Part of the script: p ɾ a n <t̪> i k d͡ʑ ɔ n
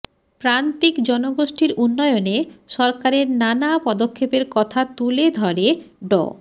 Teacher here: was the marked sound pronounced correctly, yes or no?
yes